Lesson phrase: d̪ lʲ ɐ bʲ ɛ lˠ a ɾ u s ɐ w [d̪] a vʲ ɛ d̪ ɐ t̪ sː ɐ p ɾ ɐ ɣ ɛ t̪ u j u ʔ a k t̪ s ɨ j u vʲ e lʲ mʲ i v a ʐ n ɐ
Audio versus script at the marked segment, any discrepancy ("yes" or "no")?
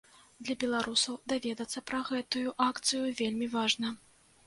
no